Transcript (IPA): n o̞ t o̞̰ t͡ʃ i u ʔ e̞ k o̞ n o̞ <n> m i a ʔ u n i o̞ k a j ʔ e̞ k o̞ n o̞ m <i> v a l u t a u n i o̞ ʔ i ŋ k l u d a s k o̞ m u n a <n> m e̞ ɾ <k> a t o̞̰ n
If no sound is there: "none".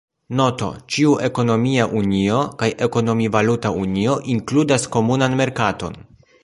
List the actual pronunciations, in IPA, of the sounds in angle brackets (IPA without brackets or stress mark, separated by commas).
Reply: none, i, n, k